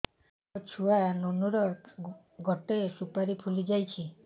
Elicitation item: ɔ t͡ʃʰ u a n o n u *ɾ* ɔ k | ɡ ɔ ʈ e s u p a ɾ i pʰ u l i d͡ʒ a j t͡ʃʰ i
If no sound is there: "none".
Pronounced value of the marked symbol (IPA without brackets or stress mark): ɾ